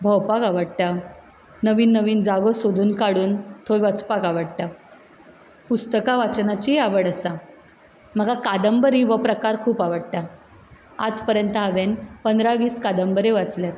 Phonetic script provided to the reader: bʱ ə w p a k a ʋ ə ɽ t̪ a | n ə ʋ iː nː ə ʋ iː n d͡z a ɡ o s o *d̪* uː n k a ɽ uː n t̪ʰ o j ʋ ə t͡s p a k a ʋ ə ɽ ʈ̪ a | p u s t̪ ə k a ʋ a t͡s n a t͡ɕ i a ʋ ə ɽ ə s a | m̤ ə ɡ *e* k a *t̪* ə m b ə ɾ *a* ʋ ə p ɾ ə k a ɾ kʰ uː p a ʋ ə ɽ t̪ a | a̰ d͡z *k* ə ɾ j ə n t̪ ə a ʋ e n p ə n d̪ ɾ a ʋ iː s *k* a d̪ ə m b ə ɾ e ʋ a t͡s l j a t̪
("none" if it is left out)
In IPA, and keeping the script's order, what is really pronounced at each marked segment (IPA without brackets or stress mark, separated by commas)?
d̪, a, d̪, i, p, k